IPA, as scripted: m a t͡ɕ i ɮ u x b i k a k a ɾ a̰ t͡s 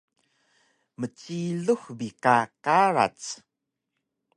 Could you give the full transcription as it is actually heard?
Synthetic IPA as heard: m ə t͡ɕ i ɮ u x b i k a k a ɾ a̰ t͡s

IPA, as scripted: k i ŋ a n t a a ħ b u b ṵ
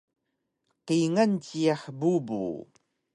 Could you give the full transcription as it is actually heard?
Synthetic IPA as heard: q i ŋ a n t i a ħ b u b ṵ

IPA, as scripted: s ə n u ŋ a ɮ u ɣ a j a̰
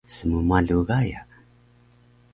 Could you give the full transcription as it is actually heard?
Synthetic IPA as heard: s ə m u m a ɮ u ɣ a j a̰

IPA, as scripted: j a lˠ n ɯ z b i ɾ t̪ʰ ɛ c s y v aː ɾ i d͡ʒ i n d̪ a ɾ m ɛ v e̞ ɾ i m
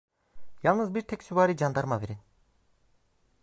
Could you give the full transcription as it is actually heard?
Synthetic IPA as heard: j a lˠ n ɯ z b i ɾ t̪ʰ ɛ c s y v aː ɾ i d͡ʒ a n d̪ a ɾ m a v e̞ ɾ i n

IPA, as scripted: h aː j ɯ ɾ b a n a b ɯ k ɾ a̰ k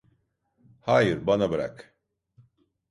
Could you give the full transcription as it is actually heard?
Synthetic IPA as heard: h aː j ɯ ɾ b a n a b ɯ ɾ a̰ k

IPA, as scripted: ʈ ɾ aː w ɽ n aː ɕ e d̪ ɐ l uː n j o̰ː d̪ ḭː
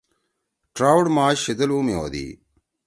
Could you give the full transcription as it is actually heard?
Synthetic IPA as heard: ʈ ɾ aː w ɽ m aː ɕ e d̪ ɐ l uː m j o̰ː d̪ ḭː

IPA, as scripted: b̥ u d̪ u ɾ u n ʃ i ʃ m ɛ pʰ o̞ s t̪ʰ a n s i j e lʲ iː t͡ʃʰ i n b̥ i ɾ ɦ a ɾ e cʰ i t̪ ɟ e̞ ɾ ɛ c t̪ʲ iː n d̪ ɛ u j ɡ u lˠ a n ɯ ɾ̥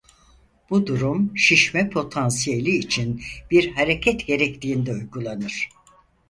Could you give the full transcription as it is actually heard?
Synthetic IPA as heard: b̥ u d̪ u ɾ u m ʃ i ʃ m ɛ pʰ o̞ t̪ʰ a n s i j e lʲ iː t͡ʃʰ i n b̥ i ɾ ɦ a ɾ e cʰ ɛ t̪ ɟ e̞ ɾ ɛ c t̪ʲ iː n d̪ ɛ u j ɡ u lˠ a n ɯ ɾ̥

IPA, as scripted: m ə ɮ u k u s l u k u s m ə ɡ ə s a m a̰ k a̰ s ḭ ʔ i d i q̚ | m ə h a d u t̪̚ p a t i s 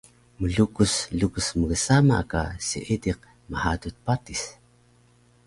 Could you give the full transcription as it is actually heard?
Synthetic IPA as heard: m ə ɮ u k u s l u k u s m ə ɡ ə s a m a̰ k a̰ s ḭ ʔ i d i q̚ | m ə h a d u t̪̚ p a t i s

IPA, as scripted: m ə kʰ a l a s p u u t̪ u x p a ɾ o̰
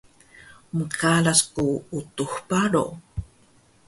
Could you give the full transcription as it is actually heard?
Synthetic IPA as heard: m ə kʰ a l a s k u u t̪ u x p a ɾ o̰

